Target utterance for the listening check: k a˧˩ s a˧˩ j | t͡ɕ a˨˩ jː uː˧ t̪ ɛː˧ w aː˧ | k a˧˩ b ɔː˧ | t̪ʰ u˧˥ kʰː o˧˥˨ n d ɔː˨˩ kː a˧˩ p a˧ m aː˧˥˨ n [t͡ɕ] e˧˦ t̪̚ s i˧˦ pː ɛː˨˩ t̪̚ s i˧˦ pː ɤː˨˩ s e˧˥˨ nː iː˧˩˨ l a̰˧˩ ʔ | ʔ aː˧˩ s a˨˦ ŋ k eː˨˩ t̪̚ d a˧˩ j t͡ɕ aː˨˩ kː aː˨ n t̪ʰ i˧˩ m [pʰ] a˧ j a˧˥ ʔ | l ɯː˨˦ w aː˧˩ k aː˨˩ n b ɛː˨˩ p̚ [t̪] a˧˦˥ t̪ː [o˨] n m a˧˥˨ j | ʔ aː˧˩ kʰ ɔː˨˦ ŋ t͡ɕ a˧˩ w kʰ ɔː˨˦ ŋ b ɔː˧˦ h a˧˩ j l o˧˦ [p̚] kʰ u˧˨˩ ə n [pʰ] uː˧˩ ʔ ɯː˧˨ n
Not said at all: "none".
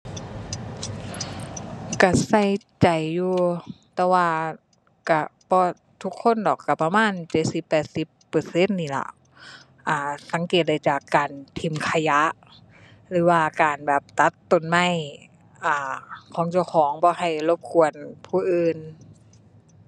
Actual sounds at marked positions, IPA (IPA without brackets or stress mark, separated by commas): t͡ɕ, kʰ, t̪, o˨, p̚, pʰ